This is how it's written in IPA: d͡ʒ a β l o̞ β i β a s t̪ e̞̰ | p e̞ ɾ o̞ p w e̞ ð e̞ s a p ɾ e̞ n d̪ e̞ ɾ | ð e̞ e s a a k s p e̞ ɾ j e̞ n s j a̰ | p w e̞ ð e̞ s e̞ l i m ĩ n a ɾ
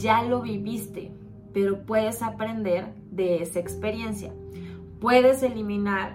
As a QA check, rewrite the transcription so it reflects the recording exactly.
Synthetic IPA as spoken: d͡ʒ a l o̞ β i β i s t̪ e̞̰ | p e̞ ɾ o̞ p w e̞ ð e̞ s a p ɾ e̞ n d̪ e̞ ɾ | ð e̞ e s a e k s p e̞ ɾ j e̞ n s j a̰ | p w e̞ ð e̞ s e̞ l i m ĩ n a ɾ